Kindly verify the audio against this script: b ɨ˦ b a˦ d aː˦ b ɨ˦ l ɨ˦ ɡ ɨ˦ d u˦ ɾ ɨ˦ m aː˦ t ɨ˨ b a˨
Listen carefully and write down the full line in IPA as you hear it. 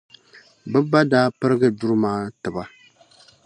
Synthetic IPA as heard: b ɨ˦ b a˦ d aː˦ p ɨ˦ ɾ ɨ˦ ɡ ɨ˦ d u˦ ɾ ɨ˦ m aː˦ t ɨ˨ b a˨